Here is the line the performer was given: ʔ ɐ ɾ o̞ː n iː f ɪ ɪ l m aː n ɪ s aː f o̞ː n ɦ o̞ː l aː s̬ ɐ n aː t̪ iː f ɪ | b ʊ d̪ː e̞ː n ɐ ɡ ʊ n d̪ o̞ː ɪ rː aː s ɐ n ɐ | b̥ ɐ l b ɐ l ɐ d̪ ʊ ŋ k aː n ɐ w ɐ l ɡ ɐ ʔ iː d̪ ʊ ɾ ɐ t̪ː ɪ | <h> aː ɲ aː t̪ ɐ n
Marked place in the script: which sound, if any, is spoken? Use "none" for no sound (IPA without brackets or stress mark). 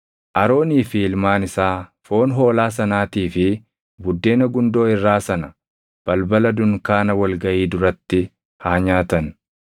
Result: h